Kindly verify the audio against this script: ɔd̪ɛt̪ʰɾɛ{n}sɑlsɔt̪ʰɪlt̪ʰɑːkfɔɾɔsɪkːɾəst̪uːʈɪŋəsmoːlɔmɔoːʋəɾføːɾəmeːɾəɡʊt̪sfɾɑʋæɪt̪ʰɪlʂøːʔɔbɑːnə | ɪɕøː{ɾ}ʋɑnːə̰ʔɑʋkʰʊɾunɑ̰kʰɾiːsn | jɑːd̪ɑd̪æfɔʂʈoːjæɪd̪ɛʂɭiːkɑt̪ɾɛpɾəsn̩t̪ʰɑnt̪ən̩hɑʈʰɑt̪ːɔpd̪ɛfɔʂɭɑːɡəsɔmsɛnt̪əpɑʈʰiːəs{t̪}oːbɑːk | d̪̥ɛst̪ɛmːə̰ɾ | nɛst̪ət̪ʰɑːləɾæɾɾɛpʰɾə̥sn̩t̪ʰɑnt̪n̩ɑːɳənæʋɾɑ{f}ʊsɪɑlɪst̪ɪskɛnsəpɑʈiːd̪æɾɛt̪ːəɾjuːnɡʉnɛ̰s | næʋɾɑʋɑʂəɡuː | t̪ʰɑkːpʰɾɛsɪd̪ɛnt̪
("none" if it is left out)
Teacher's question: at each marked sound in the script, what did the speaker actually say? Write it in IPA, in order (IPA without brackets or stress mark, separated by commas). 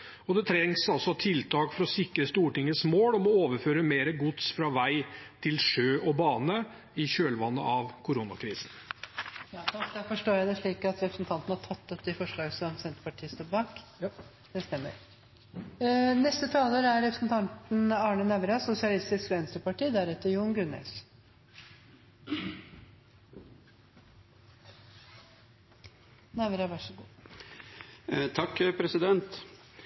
ŋ, l, t̪, s